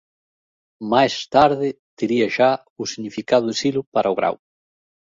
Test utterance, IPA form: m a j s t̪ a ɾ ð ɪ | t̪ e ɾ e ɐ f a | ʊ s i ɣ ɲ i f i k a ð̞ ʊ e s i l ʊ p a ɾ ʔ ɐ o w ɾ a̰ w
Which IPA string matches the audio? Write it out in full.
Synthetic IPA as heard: m a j s t̪ a ɾ ð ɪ | t̪ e ɾ i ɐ ʃ a | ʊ s i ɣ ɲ i f i k a ð̞ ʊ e s i l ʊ p a ɾ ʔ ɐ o ɣ ɾ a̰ w

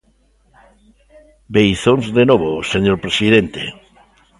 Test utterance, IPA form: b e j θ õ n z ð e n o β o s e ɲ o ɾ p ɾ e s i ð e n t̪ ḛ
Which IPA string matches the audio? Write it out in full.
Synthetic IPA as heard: b e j θ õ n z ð e n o β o s e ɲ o ɾ p ɾ e s i ð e n t̪ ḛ

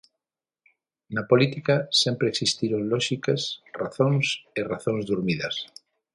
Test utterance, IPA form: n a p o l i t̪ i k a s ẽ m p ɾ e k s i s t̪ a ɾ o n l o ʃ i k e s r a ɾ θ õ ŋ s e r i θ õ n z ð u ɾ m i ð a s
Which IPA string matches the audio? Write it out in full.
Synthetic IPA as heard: n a p o l i t̪ i k a s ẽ m p ɾ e k s i s t̪ i ɾ o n l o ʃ i k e s r a θ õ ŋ s e r a θ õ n z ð u ɾ m i ð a s

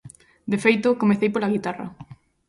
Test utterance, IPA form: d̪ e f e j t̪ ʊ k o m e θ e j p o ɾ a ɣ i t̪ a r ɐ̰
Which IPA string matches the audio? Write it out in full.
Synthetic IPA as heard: d̪ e f e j t̪ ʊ k o m e θ e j p o l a ɣ i t̪ a r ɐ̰

